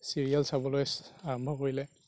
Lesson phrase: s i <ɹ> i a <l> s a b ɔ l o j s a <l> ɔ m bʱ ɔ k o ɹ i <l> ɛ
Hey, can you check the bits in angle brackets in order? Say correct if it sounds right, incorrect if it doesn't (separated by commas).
correct, correct, incorrect, correct